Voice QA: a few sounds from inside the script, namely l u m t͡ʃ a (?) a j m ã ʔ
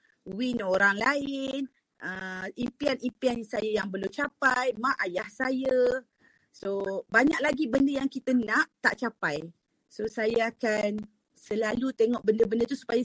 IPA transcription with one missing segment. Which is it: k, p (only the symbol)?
p